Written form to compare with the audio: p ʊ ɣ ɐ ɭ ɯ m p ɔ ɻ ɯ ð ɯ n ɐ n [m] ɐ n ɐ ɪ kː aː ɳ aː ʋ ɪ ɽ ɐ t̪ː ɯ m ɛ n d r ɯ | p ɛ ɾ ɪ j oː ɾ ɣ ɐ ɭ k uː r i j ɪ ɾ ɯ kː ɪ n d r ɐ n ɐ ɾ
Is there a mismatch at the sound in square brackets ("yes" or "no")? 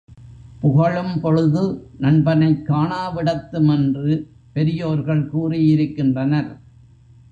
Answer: yes